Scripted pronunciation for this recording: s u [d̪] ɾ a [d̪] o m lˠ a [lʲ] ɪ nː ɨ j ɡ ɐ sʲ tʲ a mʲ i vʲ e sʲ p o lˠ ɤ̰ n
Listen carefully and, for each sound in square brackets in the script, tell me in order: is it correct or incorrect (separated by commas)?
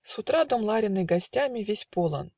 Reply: incorrect, correct, incorrect